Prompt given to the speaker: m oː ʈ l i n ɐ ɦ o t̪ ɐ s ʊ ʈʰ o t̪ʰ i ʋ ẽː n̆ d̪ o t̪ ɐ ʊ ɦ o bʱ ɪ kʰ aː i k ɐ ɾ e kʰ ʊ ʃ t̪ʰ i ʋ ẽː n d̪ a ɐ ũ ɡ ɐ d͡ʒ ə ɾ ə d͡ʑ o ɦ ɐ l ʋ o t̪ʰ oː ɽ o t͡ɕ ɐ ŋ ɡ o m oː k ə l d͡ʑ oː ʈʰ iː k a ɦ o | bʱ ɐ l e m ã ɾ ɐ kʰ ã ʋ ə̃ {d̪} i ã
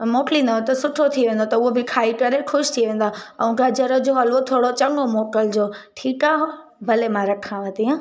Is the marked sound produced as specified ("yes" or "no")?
no